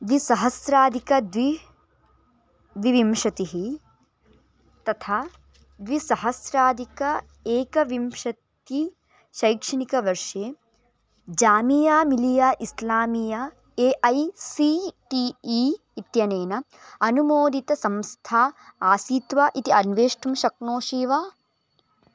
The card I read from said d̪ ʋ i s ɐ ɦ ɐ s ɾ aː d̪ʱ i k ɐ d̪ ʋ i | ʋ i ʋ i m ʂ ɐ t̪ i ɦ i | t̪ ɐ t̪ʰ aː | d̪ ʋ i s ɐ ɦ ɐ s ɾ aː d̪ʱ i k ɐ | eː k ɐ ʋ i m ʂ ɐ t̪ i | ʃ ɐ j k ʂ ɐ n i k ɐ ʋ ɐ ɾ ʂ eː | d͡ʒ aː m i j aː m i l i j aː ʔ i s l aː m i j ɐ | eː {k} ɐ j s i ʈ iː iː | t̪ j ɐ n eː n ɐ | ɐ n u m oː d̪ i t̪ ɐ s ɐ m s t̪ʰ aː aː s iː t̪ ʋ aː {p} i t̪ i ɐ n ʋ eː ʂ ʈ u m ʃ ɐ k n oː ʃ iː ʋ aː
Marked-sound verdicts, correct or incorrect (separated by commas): incorrect, incorrect